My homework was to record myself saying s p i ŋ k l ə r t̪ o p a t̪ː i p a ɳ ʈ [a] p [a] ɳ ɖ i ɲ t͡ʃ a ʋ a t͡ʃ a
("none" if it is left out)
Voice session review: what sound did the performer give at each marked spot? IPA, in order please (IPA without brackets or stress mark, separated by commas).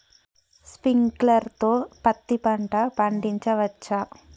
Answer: a, a